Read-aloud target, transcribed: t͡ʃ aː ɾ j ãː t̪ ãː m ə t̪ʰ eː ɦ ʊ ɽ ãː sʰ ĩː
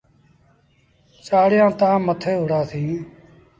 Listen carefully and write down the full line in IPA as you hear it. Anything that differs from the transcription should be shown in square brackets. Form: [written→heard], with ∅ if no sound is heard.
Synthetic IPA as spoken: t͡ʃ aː [ɾ→ɽ] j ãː t̪ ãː m ə t̪ʰ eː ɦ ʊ ɽ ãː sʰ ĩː